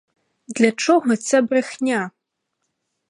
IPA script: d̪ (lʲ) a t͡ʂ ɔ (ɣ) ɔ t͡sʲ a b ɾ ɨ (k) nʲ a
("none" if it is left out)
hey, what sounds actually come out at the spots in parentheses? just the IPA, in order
lʲ, ɣ, x

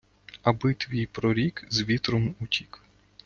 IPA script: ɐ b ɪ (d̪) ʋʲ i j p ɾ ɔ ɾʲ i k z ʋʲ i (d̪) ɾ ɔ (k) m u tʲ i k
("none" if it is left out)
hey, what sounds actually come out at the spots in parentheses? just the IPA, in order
t̪, t̪, none

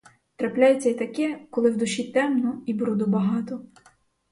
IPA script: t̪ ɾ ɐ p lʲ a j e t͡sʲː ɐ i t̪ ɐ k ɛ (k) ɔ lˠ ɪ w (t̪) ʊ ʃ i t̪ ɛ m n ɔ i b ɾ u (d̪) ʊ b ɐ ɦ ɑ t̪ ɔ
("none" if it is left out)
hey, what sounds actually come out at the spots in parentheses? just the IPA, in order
k, d̪, d̪

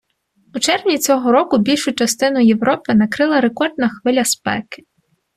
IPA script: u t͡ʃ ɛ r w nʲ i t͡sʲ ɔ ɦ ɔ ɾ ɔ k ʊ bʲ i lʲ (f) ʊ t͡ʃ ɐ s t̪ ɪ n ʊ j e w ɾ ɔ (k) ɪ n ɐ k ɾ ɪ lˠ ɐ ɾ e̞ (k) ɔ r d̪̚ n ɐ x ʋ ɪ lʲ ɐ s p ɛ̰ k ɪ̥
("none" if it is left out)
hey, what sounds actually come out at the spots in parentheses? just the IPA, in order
ʃ, p, k

